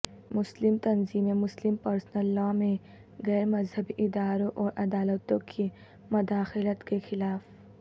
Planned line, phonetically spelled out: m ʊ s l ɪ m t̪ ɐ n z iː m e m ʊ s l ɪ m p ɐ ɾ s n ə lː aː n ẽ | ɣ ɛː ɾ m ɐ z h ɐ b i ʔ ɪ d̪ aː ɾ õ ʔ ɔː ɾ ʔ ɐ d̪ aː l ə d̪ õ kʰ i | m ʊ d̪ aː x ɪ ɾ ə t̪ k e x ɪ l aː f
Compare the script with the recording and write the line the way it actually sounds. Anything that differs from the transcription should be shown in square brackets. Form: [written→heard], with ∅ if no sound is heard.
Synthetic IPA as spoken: m ʊ s l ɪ m t̪ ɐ n z iː m e m ʊ s l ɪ m p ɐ ɾ s n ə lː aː [n→m] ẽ | ɣ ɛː ɾ m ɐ z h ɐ b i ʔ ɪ d̪ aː ɾ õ ʔ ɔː ɾ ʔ ɐ d̪ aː l ə [d̪→t̪] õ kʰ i | m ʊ d̪ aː x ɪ [ɾ→l] ə t̪ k e x ɪ l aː f

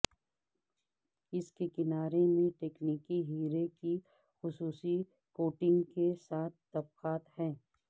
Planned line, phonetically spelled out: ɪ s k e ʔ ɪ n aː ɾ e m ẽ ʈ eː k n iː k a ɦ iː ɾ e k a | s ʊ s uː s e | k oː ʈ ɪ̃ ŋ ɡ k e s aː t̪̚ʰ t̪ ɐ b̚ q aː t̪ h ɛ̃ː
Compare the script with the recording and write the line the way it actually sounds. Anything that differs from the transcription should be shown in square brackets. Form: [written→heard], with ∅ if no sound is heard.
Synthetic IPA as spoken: ɪ s k e [ʔ→k] ɪ n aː ɾ e m ẽ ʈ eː k n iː k [a→i] ɦ iː ɾ e k [a→i] | [s→x] ʊ s uː s [e→i] | k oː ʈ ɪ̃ ŋ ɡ k e s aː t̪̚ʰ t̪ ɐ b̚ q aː t̪ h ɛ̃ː

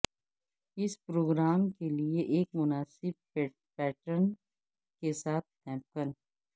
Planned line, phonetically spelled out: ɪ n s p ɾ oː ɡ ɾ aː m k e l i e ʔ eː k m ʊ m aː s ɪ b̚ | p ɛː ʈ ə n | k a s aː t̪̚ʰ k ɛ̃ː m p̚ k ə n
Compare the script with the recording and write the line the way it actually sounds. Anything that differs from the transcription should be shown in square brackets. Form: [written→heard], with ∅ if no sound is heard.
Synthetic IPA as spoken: ɪ [n→∅] s p ɾ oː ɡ ɾ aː m k e l i e ʔ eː k m ʊ [m→n] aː s ɪ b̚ | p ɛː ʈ ə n | k [a→e] s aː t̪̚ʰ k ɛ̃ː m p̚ k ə n

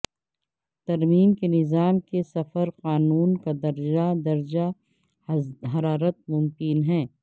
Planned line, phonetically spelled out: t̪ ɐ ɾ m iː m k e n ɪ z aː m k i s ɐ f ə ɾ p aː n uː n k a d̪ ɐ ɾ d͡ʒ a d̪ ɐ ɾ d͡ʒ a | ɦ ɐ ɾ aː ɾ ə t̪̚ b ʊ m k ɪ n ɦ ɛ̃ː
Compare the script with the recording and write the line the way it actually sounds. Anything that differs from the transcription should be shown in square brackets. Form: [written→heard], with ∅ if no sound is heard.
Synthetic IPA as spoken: t̪ ɐ ɾ m iː m k e n ɪ z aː m k [i→e] s ɐ f ə ɾ [p→q] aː n uː n k a d̪ ɐ ɾ d͡ʒ a d̪ ɐ ɾ d͡ʒ a | ɦ ɐ ɾ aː ɾ ə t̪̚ [b→m] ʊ m k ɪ n ɦ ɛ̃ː

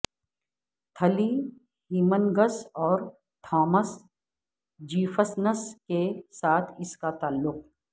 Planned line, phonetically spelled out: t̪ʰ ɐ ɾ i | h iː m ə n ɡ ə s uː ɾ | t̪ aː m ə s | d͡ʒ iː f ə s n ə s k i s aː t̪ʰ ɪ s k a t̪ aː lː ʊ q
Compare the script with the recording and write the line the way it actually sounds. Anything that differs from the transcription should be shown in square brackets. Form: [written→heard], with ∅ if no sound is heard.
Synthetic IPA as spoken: t̪ʰ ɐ [ɾ→l] i | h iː m ə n ɡ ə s [uː→ɔː] ɾ | [t̪→t̪ʰ] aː m ə s | d͡ʒ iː f ə s n ə s k [i→e] s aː t̪ʰ ɪ s k a t̪ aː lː ʊ q

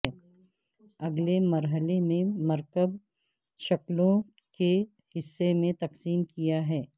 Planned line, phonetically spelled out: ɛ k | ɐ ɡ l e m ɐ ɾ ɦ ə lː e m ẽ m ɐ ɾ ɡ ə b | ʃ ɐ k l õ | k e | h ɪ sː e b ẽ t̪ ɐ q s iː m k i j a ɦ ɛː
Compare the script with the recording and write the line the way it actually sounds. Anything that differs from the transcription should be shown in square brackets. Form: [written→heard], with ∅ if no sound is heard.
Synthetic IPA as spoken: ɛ [k→∅] | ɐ ɡ l e m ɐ ɾ ɦ ə [lː→l] e m ẽ m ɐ ɾ [ɡ→k] ə b | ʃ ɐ k l õ | k e | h ɪ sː e [b→m] ẽ t̪ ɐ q s iː m k i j a ɦ ɛː

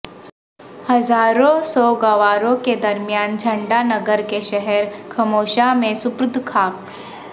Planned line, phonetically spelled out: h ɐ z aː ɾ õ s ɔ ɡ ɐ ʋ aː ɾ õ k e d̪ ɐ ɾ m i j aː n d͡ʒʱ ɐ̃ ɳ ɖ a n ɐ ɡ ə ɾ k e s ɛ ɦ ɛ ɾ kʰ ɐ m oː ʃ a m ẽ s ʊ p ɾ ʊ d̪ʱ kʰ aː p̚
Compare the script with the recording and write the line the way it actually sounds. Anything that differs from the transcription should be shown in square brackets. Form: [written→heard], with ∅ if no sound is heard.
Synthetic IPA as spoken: h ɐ z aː ɾ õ s ɔ ɡ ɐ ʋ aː ɾ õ k e d̪ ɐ ɾ m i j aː n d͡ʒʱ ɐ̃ ɳ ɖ a n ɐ ɡ ə ɾ k e [s→ʃ] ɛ ɦ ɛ ɾ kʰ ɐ m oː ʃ a m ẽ s ʊ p ɾ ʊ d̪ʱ kʰ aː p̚

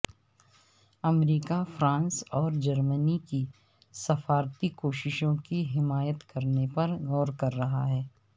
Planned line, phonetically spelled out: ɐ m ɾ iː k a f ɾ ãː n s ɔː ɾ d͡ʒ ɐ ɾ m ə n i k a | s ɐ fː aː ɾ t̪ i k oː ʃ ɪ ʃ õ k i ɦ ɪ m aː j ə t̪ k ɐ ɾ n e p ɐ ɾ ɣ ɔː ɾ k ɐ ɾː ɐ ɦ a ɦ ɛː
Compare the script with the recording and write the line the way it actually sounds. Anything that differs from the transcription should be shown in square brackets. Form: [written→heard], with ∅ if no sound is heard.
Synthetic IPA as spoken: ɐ m ɾ iː k a f ɾ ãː n s ɔː ɾ d͡ʒ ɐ ɾ m ə n i k [a→i] | s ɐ [fː→f] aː ɾ t̪ i k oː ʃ ɪ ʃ õ k i ɦ ɪ m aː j ə t̪ k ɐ ɾ n e p ɐ ɾ ɣ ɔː ɾ k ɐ ɾː ɐ ɦ a ɦ ɛː

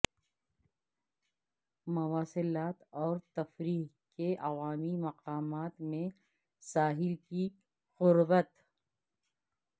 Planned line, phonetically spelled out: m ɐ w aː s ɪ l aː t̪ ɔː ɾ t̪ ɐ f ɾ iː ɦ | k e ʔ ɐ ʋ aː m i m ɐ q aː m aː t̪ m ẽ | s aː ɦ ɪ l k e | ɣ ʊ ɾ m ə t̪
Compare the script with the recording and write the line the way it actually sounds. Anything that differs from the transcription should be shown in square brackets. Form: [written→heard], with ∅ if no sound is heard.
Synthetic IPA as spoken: m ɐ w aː s ɪ l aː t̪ ɔː ɾ t̪ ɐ f ɾ iː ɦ | k e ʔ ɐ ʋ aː m i m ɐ q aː m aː t̪ m ẽ | s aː ɦ ɪ l k [e→i] | ɣ ʊ ɾ [m→b] ə t̪

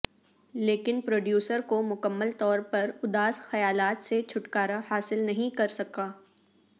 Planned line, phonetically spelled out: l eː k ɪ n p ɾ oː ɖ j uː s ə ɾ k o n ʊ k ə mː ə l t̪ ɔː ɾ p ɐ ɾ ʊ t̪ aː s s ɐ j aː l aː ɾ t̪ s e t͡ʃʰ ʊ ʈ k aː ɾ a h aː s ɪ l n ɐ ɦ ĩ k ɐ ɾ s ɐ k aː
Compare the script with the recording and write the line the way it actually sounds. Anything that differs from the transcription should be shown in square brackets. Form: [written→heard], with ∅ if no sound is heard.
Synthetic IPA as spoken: l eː k ɪ n p ɾ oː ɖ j uː s ə ɾ k o [n→m] ʊ k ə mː ə l t̪ ɔː ɾ p ɐ ɾ ʊ [t̪→d̪] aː s [s→x] ɐ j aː l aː [ɾ→∅] t̪ s e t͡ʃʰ ʊ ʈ k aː ɾ a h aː s ɪ l n ɐ ɦ ĩ k ɐ ɾ s ɐ k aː

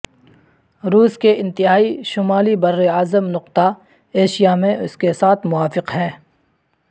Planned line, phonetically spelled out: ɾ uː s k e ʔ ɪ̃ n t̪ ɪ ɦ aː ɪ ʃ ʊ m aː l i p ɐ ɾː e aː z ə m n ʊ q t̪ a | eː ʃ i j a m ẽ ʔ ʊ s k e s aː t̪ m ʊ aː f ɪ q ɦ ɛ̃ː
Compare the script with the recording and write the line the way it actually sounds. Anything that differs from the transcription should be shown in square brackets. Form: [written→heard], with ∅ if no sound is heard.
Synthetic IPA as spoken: ɾ uː s k e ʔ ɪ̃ n t̪ ɪ ɦ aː [ɪ→i] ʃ ʊ m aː l i [p→b] ɐ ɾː e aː z ə m n ʊ q t̪ a | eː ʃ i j a m ẽ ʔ ʊ s k e s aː [t̪→t̪ʰ] m ʊ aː f ɪ q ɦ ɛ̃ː

